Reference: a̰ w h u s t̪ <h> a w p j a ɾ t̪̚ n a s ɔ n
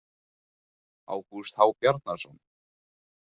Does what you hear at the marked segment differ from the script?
no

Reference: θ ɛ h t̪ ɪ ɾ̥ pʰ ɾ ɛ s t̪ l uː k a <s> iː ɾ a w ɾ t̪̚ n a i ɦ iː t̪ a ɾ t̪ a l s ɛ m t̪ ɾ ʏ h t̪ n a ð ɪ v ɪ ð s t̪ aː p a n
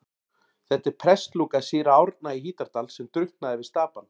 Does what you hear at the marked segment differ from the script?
no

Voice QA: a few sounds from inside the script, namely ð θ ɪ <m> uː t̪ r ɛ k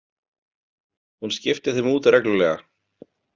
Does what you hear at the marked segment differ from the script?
no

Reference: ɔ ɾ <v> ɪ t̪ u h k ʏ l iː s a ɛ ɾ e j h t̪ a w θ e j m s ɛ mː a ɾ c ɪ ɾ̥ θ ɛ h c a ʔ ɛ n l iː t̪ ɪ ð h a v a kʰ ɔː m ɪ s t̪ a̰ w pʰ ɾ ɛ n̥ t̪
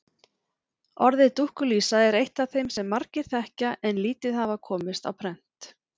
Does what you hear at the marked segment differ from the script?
yes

